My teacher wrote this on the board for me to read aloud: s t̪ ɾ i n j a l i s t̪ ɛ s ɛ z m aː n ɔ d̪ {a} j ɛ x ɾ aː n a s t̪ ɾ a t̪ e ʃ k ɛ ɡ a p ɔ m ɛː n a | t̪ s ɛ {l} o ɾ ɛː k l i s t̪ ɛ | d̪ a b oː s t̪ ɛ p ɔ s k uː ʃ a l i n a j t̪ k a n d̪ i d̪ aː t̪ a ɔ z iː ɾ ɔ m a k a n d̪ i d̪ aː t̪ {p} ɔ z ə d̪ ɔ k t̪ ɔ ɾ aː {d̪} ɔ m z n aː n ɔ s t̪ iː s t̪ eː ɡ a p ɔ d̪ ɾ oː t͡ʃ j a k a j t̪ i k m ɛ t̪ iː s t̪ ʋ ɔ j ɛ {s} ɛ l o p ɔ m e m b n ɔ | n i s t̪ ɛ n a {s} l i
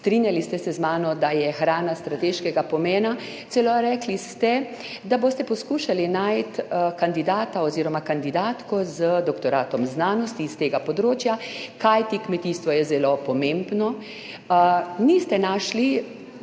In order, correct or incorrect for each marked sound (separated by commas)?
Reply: correct, correct, incorrect, incorrect, incorrect, incorrect